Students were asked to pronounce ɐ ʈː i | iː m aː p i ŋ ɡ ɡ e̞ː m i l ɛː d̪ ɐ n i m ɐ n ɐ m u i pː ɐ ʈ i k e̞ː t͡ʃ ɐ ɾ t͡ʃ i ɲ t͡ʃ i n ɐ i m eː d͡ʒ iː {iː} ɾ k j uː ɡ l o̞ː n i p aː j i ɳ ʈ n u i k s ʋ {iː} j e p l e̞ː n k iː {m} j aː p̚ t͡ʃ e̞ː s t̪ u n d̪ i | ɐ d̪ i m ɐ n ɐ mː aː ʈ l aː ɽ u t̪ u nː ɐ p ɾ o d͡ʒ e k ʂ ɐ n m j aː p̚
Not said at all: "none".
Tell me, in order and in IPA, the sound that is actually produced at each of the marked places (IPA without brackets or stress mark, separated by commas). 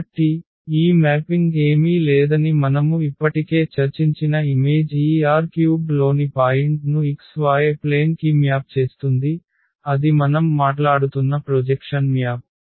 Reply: aː, aː, m